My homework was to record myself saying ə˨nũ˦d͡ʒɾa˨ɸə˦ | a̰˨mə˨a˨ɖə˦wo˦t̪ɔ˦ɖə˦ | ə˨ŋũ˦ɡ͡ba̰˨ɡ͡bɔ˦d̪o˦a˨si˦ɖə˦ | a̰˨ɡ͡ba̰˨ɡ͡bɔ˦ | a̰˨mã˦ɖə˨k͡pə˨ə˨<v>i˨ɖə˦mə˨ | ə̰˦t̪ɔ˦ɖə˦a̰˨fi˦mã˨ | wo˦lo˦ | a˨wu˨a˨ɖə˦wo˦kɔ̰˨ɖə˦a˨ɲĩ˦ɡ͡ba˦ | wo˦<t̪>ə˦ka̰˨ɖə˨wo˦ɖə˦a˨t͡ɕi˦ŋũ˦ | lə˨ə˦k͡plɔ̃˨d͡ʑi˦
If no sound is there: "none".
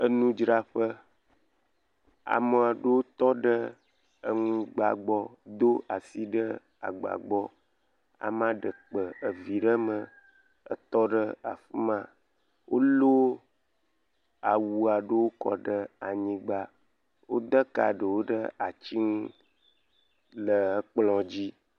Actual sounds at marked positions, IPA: v, d̪

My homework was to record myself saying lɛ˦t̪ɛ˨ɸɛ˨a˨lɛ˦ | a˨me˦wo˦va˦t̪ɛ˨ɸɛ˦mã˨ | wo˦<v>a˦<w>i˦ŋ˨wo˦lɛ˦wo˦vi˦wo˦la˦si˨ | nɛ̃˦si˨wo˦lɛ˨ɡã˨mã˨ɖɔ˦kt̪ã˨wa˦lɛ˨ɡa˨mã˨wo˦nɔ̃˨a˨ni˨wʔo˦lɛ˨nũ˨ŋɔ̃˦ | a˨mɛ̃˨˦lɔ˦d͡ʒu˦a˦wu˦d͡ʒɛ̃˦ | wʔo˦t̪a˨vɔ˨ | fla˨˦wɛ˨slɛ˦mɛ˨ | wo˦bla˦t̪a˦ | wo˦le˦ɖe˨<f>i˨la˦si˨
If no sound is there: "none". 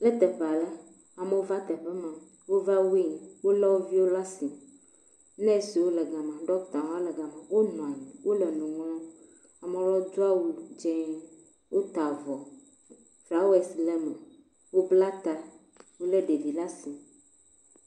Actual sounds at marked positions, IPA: v, w, v

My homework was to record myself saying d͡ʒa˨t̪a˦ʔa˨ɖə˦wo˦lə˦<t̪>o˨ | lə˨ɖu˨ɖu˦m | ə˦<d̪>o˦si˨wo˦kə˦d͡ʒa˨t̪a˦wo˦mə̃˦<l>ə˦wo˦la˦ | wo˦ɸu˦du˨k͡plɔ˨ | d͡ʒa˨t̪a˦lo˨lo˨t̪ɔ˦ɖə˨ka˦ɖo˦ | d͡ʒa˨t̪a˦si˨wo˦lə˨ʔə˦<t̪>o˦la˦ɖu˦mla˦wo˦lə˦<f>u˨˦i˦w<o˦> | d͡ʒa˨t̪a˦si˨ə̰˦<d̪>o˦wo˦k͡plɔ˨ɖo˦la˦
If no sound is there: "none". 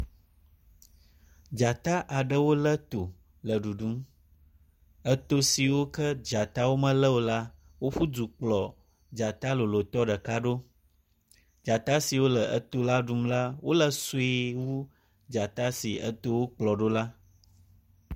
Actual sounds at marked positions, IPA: t̪, t̪, l, t̪, s, u˦, t̪

